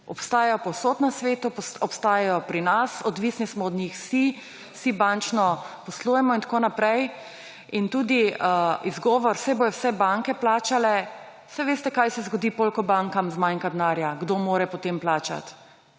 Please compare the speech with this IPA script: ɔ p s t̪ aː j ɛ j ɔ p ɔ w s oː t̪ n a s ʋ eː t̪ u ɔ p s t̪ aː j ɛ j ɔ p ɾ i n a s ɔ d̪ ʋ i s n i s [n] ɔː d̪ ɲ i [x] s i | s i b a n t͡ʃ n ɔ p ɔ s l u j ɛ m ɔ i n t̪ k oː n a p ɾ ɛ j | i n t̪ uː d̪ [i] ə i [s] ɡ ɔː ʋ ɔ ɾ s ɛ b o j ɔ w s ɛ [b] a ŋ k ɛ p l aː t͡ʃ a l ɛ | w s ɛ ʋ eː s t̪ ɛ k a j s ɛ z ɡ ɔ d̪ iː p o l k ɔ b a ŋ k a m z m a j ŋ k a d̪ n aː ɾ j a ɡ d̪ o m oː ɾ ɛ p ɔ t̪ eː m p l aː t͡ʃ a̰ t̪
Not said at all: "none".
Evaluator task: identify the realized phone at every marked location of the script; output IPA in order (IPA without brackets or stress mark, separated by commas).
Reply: m, x, i, z, b